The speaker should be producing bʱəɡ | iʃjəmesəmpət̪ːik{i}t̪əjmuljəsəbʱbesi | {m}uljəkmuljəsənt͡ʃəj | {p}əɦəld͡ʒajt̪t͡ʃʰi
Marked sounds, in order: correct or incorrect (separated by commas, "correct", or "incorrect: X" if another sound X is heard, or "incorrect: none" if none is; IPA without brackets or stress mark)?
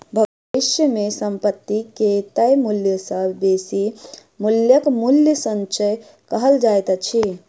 incorrect: e, correct, incorrect: k